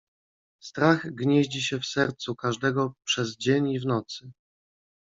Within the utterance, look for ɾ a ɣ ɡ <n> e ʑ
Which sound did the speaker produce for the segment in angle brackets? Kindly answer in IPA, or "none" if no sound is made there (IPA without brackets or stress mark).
ɲ